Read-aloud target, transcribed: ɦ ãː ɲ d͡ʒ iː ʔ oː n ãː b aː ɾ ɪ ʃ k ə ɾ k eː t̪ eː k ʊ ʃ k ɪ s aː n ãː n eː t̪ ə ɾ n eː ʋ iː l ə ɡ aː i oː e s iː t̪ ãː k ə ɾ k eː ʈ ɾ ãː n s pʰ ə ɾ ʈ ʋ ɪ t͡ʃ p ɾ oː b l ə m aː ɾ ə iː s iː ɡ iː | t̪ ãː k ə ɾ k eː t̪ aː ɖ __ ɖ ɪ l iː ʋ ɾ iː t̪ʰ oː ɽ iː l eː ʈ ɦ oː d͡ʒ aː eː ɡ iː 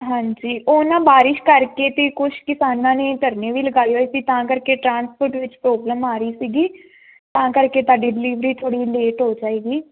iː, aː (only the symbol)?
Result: iː